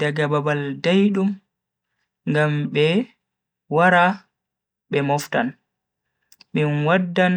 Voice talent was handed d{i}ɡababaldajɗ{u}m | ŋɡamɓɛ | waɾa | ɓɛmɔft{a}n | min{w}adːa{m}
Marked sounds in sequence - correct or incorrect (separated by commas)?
incorrect, correct, correct, correct, incorrect